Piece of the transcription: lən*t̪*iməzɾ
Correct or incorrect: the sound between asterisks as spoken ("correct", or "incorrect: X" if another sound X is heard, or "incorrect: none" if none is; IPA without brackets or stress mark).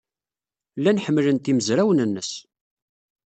correct